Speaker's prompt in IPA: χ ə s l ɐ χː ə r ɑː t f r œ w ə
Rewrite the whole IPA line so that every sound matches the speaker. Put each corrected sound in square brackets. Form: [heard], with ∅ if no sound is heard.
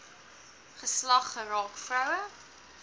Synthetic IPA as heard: χ ə s l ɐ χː ə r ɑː [k] f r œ w ə